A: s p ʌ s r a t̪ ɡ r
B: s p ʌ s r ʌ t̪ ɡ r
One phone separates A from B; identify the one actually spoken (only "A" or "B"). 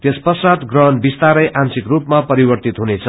A